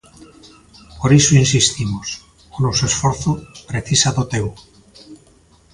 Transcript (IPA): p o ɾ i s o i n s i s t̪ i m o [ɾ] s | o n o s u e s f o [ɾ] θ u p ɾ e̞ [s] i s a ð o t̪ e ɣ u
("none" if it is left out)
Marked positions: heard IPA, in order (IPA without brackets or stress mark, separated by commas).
none, ɾ, θ